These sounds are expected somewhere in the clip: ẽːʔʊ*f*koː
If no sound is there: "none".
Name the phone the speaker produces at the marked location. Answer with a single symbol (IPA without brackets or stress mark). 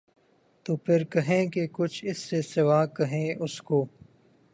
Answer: s